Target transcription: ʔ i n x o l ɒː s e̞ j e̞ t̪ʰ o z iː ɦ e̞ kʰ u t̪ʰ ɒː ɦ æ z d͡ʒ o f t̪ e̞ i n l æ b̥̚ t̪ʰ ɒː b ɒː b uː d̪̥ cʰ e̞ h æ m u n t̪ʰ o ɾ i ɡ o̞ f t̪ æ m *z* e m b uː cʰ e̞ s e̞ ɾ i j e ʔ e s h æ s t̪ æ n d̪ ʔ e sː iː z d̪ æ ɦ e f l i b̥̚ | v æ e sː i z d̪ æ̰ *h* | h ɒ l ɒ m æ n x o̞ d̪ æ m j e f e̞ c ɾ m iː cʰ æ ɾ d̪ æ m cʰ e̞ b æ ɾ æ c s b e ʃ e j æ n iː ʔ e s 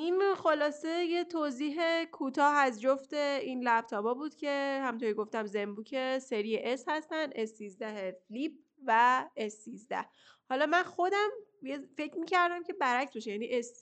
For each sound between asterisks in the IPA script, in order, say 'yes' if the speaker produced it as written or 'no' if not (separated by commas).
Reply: yes, yes